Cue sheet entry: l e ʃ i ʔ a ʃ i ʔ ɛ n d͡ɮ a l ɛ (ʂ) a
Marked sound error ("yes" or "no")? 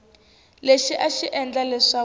no